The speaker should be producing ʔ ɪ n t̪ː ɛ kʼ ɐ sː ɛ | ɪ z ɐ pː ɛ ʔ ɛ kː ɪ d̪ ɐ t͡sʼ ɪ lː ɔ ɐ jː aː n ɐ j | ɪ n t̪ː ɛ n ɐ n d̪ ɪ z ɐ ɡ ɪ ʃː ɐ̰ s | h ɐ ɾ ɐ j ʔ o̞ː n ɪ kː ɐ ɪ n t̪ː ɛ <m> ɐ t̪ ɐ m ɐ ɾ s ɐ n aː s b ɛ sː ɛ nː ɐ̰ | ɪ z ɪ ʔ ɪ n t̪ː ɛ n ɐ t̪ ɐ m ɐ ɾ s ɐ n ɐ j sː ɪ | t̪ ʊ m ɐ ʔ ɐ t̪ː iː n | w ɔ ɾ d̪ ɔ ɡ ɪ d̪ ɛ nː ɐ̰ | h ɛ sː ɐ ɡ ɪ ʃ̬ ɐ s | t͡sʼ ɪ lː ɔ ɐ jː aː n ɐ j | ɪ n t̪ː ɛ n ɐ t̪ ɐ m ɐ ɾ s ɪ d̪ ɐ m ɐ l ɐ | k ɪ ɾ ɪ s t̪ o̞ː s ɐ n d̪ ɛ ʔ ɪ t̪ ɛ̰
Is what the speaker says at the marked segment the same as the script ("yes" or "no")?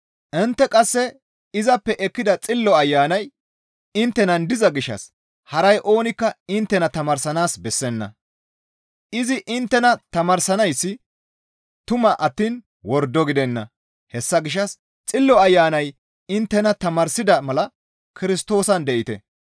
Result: no